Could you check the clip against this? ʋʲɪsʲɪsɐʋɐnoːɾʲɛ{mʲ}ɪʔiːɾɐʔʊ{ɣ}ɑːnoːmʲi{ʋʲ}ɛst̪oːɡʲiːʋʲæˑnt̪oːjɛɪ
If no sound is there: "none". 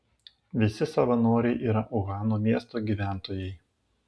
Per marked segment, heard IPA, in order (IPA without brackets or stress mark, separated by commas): none, ɣ, none